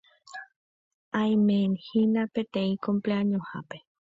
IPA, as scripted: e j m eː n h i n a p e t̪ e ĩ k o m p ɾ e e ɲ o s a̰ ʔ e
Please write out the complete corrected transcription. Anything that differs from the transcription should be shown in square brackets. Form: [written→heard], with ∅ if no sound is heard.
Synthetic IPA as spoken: [e→a] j m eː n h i n a p e t̪ e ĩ k o m p [ɾ→l] e [e→a] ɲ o [s→h] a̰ [ʔ→p] e